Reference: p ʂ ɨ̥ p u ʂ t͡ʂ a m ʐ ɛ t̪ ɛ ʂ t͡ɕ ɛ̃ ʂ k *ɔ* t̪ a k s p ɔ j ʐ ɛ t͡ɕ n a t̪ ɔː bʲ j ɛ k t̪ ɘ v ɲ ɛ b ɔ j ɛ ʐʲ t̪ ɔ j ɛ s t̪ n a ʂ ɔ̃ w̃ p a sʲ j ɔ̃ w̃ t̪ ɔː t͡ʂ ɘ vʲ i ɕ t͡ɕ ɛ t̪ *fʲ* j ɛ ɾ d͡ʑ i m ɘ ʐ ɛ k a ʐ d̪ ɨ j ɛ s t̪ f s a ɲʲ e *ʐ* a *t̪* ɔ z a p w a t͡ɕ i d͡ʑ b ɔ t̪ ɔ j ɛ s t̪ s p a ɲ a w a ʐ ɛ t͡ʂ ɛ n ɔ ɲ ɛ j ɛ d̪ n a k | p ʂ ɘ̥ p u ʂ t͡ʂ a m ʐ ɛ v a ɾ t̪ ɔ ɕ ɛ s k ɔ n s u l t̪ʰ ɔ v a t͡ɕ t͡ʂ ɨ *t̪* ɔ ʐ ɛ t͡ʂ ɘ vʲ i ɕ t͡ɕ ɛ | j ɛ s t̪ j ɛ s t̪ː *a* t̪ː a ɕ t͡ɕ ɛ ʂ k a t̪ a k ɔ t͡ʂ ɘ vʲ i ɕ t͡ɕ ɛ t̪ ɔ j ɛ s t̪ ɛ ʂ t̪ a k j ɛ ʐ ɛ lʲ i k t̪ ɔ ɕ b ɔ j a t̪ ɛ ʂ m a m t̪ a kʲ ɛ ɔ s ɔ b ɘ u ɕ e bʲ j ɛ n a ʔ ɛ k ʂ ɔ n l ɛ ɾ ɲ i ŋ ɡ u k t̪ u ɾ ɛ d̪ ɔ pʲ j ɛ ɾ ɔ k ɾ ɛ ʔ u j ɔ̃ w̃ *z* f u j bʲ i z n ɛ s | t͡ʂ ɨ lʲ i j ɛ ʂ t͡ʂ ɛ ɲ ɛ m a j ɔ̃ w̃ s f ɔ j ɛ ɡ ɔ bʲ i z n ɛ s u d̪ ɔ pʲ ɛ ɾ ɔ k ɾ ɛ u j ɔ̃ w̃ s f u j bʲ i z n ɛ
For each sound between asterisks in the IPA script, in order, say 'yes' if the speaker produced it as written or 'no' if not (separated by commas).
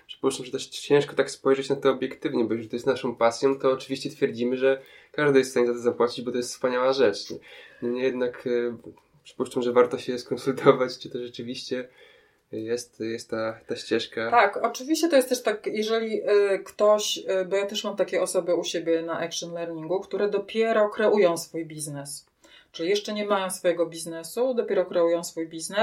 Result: yes, yes, no, yes, yes, yes, no